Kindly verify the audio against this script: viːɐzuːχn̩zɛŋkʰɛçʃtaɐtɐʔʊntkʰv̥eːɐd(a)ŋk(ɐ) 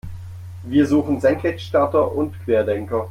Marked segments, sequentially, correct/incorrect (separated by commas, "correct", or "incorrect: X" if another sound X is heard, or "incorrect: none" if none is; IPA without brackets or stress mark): incorrect: ɛ, correct